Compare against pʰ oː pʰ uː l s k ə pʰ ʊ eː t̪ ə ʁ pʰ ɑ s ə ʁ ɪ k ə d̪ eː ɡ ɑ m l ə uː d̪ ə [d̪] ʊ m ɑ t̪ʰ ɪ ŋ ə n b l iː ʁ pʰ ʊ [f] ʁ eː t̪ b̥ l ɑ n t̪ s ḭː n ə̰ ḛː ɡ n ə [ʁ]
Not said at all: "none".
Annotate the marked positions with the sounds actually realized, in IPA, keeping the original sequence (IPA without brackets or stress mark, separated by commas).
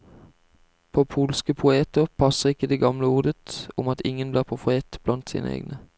t̪, f, none